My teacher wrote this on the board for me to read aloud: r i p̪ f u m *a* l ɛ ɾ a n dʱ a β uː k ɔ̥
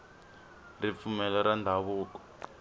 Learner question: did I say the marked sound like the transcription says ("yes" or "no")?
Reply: no